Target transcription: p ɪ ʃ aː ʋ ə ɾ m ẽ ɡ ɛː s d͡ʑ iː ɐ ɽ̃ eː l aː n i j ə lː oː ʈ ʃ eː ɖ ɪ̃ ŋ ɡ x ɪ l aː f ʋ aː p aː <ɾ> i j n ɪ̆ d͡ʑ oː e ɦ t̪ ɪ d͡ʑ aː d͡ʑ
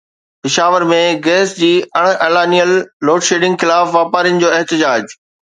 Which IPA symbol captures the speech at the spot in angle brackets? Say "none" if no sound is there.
ɾ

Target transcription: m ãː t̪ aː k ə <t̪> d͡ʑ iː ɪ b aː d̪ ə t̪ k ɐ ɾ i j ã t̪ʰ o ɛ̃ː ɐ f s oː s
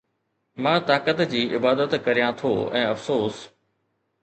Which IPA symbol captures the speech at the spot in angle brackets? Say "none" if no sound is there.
t̪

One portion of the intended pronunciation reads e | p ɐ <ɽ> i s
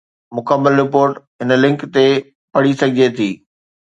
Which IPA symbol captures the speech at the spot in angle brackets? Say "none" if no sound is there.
ɽ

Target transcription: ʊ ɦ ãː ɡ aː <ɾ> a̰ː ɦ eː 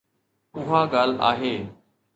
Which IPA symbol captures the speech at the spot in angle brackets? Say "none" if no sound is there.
l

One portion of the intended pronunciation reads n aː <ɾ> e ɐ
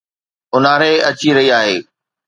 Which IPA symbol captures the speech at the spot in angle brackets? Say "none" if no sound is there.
ɾ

